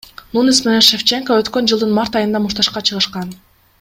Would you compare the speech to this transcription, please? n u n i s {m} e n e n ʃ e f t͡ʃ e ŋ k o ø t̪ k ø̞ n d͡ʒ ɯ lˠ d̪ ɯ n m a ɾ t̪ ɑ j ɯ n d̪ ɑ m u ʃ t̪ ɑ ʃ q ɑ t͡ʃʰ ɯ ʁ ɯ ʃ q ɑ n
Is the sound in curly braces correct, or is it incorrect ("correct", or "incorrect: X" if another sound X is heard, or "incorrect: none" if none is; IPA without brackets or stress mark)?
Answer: correct